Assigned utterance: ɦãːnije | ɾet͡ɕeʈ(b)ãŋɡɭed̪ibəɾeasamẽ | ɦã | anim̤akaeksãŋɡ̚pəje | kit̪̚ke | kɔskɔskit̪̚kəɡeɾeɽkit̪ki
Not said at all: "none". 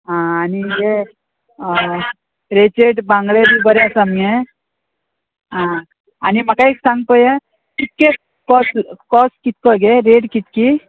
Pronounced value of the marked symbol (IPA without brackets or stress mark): b